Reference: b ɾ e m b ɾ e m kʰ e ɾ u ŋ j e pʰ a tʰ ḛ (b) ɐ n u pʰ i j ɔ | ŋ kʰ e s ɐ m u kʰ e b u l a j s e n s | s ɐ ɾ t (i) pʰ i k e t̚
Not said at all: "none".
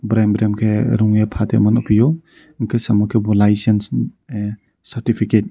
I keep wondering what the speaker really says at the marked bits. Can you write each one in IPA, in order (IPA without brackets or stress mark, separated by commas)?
m, i